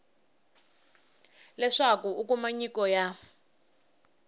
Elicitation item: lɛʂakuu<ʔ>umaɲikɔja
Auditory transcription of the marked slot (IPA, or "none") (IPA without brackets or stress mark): k